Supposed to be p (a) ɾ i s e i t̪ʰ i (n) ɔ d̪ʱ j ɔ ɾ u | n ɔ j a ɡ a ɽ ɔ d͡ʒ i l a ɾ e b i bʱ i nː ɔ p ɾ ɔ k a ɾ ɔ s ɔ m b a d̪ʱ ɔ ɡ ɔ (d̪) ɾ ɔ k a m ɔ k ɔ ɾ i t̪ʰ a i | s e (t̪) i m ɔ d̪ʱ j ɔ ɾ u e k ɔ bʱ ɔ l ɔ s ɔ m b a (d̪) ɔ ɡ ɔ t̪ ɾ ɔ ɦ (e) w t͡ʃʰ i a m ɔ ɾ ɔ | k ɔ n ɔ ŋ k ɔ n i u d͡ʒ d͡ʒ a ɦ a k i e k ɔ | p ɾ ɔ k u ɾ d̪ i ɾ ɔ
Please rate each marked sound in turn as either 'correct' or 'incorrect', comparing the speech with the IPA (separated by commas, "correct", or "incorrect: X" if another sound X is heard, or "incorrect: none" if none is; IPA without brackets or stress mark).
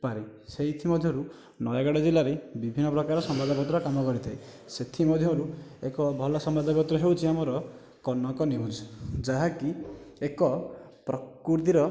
correct, incorrect: m, incorrect: t̪, incorrect: t̪ʰ, correct, correct